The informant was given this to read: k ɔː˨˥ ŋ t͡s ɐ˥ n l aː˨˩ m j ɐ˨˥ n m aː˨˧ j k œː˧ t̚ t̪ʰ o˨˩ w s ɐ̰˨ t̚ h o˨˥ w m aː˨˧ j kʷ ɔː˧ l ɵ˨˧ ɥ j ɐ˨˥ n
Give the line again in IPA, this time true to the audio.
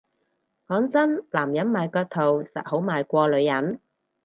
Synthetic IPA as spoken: k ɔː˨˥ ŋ t͡s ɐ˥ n l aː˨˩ m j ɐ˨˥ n m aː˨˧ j k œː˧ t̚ t̪ʰ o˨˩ w s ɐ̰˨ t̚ h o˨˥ w m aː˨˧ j kʷ ɔː˧ l ɵ˨˧ ɥ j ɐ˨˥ n